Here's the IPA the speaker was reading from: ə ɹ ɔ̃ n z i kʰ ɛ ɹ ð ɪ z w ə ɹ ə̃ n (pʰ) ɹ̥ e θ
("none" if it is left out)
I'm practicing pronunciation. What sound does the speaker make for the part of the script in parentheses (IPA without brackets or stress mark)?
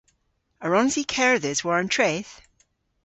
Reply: tʰ